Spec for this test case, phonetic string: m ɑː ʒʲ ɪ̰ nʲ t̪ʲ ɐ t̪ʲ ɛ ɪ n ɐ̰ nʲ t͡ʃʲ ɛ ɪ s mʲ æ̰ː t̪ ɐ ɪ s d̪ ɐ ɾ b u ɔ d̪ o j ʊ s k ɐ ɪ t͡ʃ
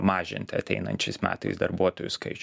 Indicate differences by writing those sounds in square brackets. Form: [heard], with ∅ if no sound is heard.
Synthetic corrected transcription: m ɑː ʒʲ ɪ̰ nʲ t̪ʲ ɐ t̪ʲ ɛ ɪ n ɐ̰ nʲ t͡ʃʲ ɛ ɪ s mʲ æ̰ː t̪ ɐ ɪ s d̪ ɐ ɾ b u ɔ [t̪] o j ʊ s k ɐ ɪ t͡ʃ